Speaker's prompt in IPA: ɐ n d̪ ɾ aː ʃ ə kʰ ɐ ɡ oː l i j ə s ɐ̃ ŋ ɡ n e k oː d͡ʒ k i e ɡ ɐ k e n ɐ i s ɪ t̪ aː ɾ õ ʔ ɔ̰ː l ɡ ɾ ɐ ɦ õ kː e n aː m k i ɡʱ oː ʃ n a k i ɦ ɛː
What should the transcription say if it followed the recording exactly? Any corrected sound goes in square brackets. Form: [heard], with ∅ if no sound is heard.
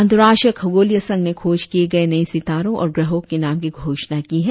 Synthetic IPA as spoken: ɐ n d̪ ɾ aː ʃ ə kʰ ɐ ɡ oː l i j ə s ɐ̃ ŋ ɡ n e [kʰ] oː d͡ʒ k i e ɡ ɐ [∅] e n ɐ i s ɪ t̪ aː ɾ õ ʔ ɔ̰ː [ɾ] ɡ ɾ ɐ ɦ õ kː e n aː m k i ɡʱ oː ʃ n a k i ɦ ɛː